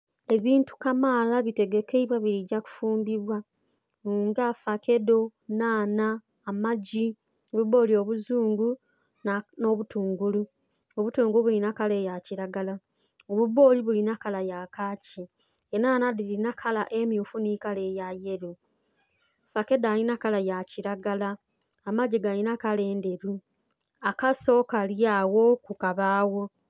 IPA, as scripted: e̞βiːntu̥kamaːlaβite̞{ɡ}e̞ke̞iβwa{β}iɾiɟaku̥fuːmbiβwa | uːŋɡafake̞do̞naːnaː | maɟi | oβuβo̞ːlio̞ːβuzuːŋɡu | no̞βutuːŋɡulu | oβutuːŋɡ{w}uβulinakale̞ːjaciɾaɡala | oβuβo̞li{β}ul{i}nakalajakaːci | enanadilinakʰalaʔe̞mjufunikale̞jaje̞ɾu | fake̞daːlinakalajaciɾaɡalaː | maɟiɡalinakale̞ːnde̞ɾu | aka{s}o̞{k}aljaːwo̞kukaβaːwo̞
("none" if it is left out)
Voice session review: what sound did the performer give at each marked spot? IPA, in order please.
ɡ, β, u, β, i, s, k

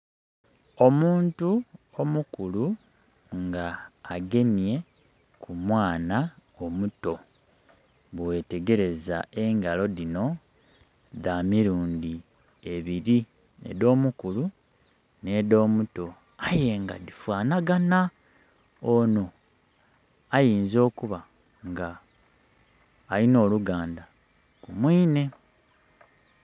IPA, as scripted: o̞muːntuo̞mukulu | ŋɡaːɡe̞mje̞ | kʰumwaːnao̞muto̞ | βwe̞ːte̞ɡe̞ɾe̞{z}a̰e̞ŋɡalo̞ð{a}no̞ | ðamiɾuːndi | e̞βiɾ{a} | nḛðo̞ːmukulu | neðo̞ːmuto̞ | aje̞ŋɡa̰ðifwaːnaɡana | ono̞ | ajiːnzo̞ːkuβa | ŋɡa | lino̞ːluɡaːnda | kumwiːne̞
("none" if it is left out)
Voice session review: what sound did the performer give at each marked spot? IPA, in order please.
z, i, i

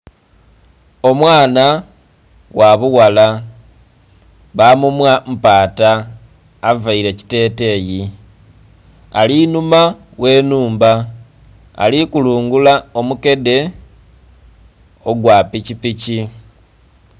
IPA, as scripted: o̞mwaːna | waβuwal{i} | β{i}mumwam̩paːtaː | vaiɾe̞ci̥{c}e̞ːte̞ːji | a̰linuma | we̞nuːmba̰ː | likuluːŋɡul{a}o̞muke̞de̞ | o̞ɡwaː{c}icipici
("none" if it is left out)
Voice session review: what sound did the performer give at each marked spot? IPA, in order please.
a, a, t, a, p

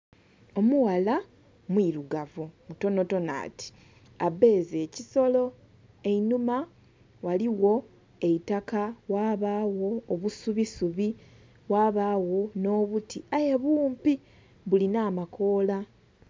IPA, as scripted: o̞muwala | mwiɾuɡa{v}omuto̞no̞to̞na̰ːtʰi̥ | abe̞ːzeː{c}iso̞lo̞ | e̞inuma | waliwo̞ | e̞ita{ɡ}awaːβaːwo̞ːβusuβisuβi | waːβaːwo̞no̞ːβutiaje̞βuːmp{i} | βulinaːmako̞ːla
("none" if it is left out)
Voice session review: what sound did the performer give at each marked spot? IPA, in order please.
v, c, k, i

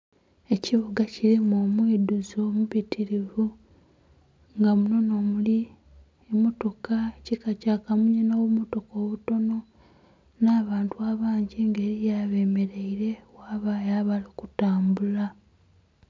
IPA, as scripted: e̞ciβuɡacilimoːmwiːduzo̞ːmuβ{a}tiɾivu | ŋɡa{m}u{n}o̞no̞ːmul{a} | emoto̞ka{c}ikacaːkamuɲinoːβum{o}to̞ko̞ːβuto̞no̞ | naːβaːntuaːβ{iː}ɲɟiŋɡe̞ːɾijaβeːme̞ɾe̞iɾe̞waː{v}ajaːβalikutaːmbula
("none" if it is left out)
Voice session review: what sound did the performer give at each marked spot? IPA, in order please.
i, m, n, i, c, o, aː, β

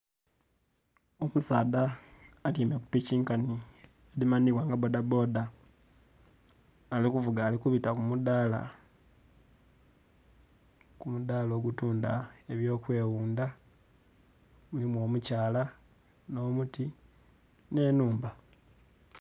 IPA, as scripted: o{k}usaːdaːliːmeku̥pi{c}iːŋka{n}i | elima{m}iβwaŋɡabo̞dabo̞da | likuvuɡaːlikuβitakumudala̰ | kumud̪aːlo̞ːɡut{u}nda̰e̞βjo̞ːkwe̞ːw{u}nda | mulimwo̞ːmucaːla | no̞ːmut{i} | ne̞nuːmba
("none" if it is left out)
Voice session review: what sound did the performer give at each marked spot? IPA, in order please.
k, c, n, n, uː, uː, i

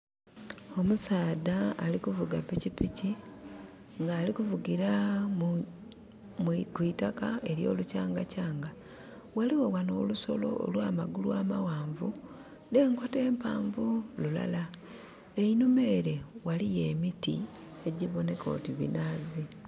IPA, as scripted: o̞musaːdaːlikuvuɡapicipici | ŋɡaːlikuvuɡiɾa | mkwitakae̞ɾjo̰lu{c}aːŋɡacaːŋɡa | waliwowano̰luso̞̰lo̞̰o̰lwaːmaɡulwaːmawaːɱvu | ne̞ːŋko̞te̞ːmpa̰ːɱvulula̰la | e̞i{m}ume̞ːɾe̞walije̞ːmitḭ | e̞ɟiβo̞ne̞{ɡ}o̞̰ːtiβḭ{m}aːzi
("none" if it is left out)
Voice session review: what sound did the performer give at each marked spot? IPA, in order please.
c, n, k, n

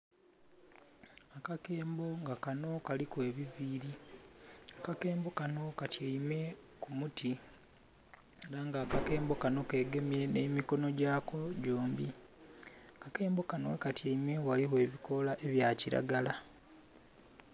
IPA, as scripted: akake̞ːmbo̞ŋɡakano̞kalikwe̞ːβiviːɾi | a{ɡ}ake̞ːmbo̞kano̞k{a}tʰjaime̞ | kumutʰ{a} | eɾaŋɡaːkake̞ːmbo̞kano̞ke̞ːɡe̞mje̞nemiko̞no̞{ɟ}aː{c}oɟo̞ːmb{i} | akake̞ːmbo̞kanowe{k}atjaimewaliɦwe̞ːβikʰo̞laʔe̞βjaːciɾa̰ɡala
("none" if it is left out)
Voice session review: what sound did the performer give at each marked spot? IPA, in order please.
k, a, i, ɟ, k, i, k

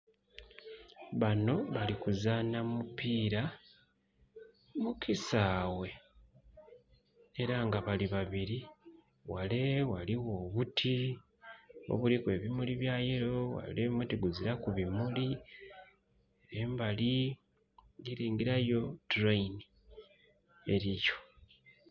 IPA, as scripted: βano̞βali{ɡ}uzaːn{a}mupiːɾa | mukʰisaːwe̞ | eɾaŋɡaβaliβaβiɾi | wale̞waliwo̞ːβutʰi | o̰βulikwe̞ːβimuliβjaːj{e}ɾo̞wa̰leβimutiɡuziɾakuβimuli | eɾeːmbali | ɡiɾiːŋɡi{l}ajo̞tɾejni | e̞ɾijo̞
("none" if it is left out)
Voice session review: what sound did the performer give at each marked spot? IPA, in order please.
k, a, e, ɾ

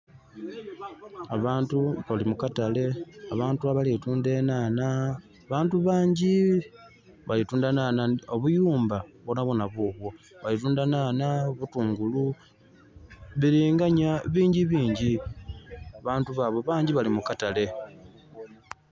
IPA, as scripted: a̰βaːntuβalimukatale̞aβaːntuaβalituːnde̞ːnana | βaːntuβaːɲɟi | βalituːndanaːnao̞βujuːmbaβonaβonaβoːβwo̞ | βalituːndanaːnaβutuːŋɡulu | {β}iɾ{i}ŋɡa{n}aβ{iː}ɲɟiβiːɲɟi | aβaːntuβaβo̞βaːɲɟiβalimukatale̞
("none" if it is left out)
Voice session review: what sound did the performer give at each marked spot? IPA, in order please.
β, iː, ɲ, iː

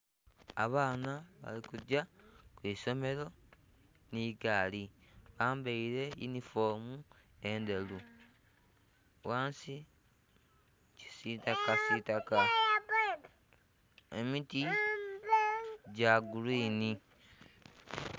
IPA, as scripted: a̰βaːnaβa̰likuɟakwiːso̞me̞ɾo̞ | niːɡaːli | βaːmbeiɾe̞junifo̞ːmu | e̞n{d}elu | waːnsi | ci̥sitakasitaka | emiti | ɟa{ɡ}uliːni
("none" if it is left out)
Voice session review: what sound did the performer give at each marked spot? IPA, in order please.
d, ɡ

